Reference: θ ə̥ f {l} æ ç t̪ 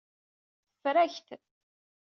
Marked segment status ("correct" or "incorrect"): incorrect